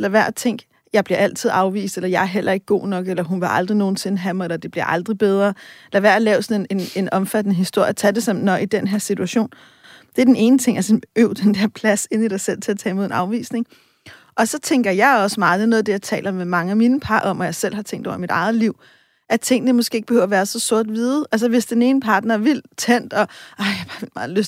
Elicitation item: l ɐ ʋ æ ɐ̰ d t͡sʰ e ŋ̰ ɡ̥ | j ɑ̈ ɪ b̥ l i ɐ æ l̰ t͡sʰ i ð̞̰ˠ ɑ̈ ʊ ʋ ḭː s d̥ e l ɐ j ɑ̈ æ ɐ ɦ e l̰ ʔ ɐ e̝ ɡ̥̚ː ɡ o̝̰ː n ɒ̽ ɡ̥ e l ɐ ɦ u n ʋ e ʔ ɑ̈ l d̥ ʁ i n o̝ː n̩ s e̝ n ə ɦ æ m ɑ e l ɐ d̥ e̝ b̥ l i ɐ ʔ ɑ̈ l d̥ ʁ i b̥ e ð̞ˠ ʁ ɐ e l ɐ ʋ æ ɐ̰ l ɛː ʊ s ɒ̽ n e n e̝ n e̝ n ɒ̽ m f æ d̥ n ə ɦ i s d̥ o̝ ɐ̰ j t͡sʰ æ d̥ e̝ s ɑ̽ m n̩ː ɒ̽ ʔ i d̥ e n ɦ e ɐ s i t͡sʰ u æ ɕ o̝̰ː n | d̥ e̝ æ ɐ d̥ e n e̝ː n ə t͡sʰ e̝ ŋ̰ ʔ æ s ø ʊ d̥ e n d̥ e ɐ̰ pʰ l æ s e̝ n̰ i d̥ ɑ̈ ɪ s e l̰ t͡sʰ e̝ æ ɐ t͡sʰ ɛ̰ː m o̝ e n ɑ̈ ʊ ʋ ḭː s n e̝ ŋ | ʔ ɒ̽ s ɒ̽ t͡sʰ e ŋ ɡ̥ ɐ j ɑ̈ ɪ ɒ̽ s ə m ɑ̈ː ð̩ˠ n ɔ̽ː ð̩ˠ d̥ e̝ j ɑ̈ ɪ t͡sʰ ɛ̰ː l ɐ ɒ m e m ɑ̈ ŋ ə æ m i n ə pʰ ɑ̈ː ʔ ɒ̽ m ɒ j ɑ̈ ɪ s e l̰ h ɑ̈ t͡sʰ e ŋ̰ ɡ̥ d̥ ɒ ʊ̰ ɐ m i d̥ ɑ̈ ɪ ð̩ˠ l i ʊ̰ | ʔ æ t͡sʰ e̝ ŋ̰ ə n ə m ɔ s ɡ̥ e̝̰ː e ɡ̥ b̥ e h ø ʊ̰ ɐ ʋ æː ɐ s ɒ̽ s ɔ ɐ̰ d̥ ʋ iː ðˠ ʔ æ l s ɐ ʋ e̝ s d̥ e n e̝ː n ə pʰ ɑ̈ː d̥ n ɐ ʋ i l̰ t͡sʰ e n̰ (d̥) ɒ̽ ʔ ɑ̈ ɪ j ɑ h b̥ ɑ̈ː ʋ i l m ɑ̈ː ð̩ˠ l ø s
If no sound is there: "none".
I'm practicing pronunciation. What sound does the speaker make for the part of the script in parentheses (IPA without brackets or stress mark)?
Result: d̥